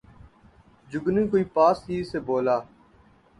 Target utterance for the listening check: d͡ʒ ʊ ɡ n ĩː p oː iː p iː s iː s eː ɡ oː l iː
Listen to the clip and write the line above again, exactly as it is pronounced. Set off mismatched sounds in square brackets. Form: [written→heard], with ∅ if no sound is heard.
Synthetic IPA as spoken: d͡ʒ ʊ ɡ n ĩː [p→k] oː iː p [iː→aː] s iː s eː [ɡ→b] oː l [iː→aː]